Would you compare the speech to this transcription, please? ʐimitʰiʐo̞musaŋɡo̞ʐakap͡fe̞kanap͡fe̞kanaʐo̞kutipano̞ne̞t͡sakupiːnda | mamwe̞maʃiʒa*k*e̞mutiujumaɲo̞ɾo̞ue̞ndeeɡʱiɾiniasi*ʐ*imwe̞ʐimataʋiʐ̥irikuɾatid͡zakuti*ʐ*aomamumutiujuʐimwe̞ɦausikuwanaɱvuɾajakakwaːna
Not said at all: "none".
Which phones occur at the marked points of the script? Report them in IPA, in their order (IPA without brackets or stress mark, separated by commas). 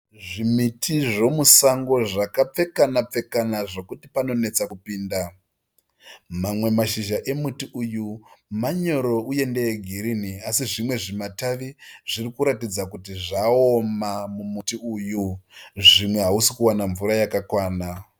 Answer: ʔ, ʐ, ʐ